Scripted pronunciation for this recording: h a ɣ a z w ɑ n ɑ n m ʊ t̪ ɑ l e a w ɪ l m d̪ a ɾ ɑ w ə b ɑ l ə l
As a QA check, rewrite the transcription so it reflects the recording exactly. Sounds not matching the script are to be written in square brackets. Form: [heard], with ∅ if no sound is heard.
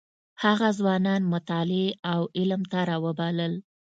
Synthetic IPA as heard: h a ɣ a z w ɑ n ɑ n m ʊ t̪ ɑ l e a w ɪ l m [t̪] a ɾ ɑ w ə b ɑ l ə l